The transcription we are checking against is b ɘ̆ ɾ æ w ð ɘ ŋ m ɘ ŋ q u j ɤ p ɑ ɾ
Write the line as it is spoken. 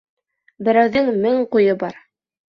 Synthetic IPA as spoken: b ɘ̆ ɾ æ w ð ɘ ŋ m ɘ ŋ q u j ɤ b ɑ ɾ